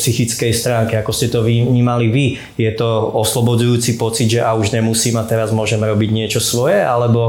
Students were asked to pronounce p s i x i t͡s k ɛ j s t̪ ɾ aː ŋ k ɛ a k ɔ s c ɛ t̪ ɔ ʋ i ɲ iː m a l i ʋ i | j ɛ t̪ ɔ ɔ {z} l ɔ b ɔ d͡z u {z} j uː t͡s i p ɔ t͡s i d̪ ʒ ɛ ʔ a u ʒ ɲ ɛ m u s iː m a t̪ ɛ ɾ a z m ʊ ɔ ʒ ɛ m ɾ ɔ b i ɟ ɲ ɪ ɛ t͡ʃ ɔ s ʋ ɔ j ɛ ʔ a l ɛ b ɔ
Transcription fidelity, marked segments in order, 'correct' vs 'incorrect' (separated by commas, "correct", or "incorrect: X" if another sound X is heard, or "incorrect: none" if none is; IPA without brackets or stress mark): incorrect: s, incorrect: none